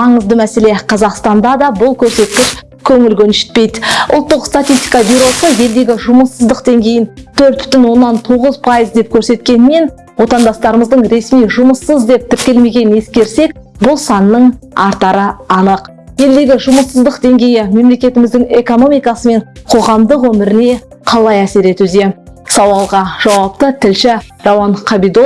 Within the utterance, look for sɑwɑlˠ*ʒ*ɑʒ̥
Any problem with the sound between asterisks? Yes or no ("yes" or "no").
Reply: yes